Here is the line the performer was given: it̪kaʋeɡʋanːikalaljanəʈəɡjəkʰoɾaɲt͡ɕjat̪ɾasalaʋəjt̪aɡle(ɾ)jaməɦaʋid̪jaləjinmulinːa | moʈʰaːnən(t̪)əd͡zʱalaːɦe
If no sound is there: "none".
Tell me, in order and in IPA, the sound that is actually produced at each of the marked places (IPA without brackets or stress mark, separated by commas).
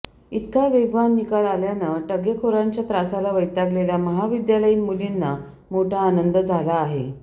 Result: l, d̪